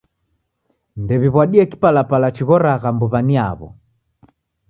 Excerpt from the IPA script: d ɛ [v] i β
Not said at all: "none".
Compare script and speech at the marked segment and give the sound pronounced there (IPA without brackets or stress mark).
β